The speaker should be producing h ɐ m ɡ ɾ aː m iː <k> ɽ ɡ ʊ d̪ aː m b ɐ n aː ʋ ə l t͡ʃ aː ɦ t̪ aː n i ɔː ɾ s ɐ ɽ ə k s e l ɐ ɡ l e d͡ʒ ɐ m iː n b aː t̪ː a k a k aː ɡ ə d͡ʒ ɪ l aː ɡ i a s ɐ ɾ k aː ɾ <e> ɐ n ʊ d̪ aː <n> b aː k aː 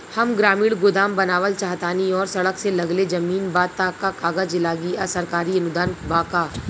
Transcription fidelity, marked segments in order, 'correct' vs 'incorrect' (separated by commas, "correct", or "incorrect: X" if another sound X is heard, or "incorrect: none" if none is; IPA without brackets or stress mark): incorrect: none, incorrect: i, correct